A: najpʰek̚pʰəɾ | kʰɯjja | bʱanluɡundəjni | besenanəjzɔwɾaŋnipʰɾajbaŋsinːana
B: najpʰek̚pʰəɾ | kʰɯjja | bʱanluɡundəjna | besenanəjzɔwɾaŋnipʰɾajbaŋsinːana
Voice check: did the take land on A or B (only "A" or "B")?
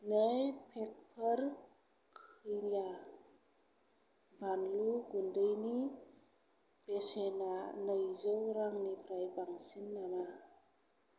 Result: A